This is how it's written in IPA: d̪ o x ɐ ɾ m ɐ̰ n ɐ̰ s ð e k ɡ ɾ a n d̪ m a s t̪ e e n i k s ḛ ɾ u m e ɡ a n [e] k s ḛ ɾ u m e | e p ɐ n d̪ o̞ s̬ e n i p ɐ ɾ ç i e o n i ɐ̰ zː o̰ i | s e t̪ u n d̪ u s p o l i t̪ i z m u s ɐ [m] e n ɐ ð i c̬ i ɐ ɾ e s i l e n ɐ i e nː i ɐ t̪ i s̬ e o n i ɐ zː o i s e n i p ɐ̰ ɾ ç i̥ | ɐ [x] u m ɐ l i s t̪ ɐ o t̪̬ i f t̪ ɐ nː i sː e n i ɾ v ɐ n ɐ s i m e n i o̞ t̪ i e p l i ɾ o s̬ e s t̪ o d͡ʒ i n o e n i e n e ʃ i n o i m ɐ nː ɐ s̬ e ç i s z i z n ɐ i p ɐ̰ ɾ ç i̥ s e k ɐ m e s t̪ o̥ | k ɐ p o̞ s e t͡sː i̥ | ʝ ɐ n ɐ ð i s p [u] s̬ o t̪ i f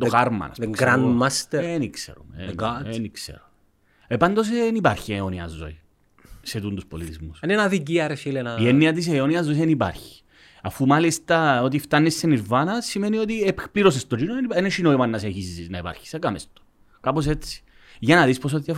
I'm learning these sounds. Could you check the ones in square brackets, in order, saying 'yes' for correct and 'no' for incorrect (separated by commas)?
no, no, no, no